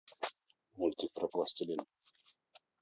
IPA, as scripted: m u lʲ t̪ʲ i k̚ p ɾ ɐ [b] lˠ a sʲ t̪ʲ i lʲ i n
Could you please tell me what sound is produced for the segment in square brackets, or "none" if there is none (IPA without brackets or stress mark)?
p